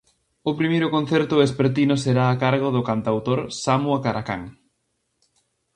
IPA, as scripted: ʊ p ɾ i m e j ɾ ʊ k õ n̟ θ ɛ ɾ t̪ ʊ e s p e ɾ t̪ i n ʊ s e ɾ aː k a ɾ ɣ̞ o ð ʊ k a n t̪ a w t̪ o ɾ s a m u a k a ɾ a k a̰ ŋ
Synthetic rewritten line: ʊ p ɾ i m e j ɾ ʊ k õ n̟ θ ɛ ɾ t̪ ʊ e s p e ɾ t̪ i n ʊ s e ɾ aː k a ɾ ɣ̞ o ð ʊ k a n t̪ a w t̪ o ɾ s a m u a k a ɾ a k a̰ ŋ

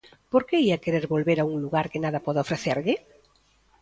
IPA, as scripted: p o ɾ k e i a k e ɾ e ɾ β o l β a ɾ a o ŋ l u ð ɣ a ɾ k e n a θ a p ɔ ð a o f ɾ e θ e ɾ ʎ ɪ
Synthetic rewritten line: p o ɾ k e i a k e ɾ e ɾ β o l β e ɾ a u ŋ l u ɣ a ɾ k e n a ð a p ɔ ð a o f ɾ e θ e ɾ ʎ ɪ

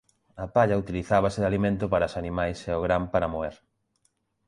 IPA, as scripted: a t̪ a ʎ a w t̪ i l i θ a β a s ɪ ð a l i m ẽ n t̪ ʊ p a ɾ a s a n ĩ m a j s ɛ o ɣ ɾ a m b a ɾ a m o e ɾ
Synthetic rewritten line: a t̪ a ʎ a u t̪ i l i θ a β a s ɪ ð a l i m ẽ n t̪ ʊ p a ɾ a s a n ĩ m a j s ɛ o ɣ ɾ a m p a ɾ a m o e ɾ

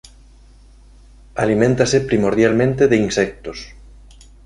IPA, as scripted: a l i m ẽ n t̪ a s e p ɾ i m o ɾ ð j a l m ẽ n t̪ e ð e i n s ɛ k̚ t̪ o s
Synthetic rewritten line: a l i m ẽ n t̪ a s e p ɾ i m o ɾ ð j a l m ẽ n t̪ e ð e i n s ɛ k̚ t̪ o s

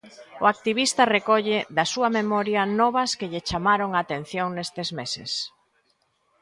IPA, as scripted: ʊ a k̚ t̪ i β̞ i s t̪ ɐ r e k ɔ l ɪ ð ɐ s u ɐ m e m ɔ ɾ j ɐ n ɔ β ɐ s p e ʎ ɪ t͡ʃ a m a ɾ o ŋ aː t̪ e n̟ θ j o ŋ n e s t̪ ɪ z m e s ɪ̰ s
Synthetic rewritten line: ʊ a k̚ t̪ i β̞ i s t̪ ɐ r e k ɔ ʎ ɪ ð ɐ s u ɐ m e m ɔ ɾ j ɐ n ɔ β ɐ s k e ʎ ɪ t͡ʃ a m a ɾ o ŋ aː t̪ e n̟ θ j o ŋ n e s t̪ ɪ z m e s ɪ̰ s

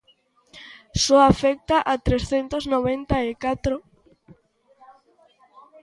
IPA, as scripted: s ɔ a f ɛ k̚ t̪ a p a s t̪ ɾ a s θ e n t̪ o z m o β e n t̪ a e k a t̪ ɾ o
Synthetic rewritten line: s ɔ a f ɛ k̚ t̪ a ʔ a t̪ ɾ e s θ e n t̪ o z n o β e n t̪ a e k a t̪ ɾ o

